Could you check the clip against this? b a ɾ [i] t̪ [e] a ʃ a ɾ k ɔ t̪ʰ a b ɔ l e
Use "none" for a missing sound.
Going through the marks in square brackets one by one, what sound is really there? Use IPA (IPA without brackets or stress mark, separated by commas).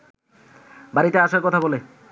i, e